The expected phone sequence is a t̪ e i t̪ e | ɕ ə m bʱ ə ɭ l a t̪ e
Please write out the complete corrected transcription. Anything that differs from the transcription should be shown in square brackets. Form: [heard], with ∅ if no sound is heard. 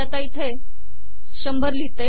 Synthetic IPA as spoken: a t̪ [a] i [t̪ʰ] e | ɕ ə m bʱ ə [ɾ] l [i] t̪ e